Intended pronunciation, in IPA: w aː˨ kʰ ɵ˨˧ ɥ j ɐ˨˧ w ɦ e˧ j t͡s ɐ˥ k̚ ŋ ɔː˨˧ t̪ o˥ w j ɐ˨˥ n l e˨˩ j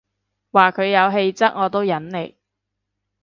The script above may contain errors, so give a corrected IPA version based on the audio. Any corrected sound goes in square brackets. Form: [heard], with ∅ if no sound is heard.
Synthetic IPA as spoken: w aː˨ kʰ ɵ˨˧ ɥ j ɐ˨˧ w ɦ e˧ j t͡s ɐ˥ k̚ ŋ ɔː˨˧ t̪ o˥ w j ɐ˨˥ n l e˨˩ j